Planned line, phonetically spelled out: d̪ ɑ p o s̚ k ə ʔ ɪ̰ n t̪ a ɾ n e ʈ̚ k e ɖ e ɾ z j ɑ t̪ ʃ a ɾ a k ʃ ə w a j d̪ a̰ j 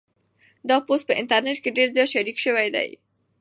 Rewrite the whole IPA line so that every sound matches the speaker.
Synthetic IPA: d̪ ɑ p o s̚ p ə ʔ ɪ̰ n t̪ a ɾ n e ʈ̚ k e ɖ e ɾ z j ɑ t̪ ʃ a ɾ i k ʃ ə w a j d̪ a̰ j